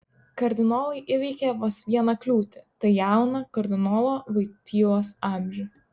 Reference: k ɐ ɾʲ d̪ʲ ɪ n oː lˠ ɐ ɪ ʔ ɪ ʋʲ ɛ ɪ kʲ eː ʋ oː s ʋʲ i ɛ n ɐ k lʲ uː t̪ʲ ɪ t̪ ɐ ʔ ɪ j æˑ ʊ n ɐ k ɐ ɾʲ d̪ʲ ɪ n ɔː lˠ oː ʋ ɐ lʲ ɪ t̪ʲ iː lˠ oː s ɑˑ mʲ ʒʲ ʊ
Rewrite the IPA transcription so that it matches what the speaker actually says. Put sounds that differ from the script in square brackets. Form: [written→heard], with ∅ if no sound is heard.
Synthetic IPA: k ɐ ɾʲ d̪ʲ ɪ n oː lˠ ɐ ɪ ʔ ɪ ʋʲ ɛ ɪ kʲ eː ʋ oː s ʋʲ i ɛ n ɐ k lʲ uː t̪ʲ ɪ t̪ ɐ [ʔ→∅] ɪ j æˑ ʊ n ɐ k ɐ ɾʲ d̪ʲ ɪ n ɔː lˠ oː ʋ ɐ [lʲ→∅] ɪ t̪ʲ iː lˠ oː s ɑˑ mʲ ʒʲ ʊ